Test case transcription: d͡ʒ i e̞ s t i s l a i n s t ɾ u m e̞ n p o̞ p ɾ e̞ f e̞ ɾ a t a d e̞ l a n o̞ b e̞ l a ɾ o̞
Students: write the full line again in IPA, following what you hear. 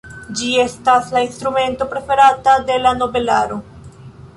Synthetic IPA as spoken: d͡ʒ i e̞ s t a s l a i n s t ɾ u m e̞ n t o̞ p ɾ e̞ f e̞ ɾ a t a d e̞ l a n o̞ b e̞ l a ɾ o̞